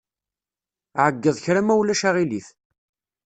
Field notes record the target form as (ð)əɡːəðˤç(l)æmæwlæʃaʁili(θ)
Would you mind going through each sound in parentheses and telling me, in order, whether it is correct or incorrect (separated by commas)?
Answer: incorrect, incorrect, correct